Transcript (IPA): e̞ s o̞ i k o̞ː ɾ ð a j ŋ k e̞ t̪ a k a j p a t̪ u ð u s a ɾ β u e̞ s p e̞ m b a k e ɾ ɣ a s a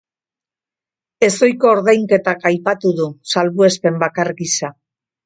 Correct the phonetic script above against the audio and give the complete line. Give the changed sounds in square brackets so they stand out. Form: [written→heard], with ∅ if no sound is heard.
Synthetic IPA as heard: e̞ s o̞ [i→j] k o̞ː ɾ ð a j ŋ k e̞ t̪ a k a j p a t̪ u ð u s a [ɾ→l] β u e̞ s p e̞ m b a k [e→a] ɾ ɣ [a→i] s a

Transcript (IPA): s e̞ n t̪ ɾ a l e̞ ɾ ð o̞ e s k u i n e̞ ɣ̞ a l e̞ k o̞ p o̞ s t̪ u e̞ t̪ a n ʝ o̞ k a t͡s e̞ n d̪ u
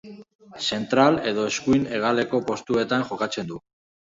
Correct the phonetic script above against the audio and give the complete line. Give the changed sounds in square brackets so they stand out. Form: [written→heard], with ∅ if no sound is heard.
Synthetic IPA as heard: s e̞ n t̪ ɾ a l e̞ [ɾ→∅] ð o̞ e s k u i n e̞ ɣ̞ a l e̞ k o̞ p o̞ s t̪ u e̞ t̪ a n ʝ o̞ k a t͡s e̞ n d̪ u

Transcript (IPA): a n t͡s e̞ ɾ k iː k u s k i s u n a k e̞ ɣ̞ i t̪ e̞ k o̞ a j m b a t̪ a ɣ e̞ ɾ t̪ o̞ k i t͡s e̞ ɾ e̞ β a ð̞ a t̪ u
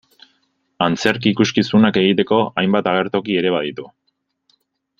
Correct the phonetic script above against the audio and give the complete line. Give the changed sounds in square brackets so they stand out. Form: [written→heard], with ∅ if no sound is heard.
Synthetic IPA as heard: a n t͡s e̞ ɾ k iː k u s k i s u n a k e̞ ɣ̞ i t̪ e̞ k o̞ a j m b a t̪ a ɣ e̞ ɾ t̪ o̞ k i [t͡s→∅] e̞ ɾ e̞ β a ð̞ [a→i] t̪ u

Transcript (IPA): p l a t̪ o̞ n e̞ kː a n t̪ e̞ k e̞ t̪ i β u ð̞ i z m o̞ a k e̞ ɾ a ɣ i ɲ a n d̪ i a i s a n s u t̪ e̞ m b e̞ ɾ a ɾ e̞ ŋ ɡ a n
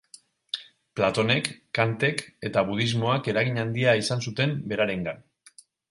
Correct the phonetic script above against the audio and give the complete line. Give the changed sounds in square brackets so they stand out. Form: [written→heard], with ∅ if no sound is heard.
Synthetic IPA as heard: p l a t̪ o̞ n e̞ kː a n t̪ e̞ k e̞ t̪ [i→a] β u ð̞ i z m o̞ a k e̞ ɾ a ɣ i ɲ a n d̪ i a i s a n s u t̪ e̞ m b e̞ ɾ a ɾ e̞ ŋ ɡ a n

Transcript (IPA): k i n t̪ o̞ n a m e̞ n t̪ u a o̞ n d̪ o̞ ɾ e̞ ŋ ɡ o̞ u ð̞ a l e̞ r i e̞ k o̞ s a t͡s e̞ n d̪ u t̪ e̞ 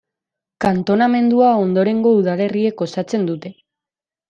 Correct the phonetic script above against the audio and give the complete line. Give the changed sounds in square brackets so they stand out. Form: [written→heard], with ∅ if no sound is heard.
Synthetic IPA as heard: k [i→a] n t̪ o̞ n a m e̞ n [t̪→d̪] u a o̞ n d̪ o̞ ɾ e̞ ŋ ɡ o̞ u ð̞ a l e̞ r i e̞ k o̞ s a t͡s e̞ n d̪ u t̪ e̞

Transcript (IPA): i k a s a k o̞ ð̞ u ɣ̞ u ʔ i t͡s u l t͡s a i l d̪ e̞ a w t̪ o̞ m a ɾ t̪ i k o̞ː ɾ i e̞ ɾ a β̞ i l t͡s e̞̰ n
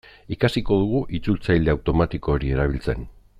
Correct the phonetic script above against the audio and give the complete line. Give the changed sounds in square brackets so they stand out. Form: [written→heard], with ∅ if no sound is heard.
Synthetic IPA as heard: i k a s [a→i] k o̞ ð̞ u ɣ̞ u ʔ i t͡s u l t͡s a [i→j] l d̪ e̞ a w t̪ o̞ m a [ɾ→∅] t̪ i k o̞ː ɾ i e̞ ɾ a β̞ i l t͡s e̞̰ n

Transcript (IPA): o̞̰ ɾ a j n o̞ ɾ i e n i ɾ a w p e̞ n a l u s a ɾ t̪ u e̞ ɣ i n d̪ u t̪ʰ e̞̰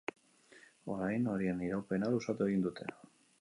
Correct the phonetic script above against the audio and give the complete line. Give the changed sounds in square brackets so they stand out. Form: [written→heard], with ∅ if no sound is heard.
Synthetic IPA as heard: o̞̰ ɾ a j n o̞ ɾ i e n i ɾ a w p e̞ n a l u s a [ɾ→∅] t̪ u e̞ ɣ i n d̪ u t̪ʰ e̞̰

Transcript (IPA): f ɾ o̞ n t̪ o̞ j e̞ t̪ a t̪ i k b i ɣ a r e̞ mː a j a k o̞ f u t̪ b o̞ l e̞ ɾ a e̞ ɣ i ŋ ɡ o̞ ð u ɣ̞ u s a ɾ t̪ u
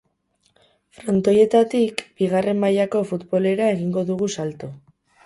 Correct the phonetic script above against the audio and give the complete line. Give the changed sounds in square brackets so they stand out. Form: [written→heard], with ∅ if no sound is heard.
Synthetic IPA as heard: f ɾ o̞ n t̪ o̞ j e̞ t̪ a t̪ i k b i ɣ a r e̞ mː a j a k o̞ f u t̪ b o̞ l e̞ ɾ a e̞ ɣ i ŋ ɡ o̞ ð u ɣ̞ u s a [ɾ→l] t̪ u

